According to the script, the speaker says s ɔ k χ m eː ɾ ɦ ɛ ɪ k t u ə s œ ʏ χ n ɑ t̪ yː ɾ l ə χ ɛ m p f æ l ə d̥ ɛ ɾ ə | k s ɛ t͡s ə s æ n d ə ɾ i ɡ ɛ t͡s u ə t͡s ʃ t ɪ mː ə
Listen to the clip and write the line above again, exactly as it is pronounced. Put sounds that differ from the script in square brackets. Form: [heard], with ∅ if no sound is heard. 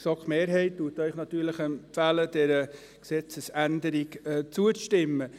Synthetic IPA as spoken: s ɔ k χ m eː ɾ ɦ ɛ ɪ [t] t u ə [t] œ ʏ χ n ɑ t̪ yː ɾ l ə χ ɛ m p f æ l ə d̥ ɛ ɾ ə | k s ɛ t͡s ə s æ n d ə ɾ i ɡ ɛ t͡s u ə t͡s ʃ t ɪ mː ə